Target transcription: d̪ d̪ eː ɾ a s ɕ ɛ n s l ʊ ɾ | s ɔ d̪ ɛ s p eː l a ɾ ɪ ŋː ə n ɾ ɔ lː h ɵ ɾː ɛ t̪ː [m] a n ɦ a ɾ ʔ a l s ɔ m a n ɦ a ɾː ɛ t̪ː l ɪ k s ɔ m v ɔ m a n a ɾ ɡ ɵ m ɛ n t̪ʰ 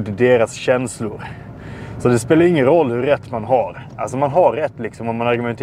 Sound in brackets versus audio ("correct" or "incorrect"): correct